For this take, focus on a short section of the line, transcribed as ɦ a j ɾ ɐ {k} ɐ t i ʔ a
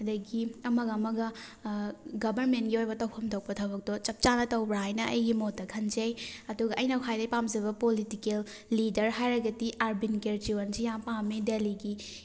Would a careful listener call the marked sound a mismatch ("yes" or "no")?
yes